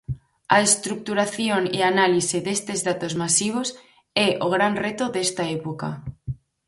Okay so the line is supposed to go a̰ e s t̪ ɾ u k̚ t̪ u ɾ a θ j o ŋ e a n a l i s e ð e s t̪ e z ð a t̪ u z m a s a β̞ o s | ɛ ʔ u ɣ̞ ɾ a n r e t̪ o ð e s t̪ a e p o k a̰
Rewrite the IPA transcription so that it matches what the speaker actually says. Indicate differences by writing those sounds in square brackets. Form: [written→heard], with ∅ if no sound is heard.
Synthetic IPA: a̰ e s t̪ ɾ u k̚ t̪ u ɾ a θ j o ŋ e a n a l i s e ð e s t̪ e z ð a t̪ [u→o] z m a s [a→i] β̞ o s | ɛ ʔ [u→o] ɣ̞ ɾ a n r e t̪ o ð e s t̪ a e p o k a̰